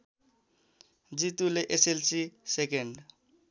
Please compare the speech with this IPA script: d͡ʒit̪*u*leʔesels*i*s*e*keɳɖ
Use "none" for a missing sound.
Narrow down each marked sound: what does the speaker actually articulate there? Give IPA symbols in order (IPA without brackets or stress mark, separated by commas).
u, i, e